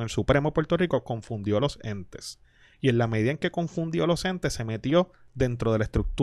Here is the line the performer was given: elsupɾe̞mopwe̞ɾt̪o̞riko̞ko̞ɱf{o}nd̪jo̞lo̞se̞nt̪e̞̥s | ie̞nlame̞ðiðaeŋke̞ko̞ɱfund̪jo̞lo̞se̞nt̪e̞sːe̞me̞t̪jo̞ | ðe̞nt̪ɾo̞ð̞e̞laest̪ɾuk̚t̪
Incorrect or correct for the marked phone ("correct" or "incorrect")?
incorrect